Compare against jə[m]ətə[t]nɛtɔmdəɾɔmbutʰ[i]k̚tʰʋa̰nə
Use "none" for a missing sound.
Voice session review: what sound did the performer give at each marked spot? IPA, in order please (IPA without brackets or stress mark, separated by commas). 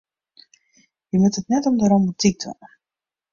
m, t, i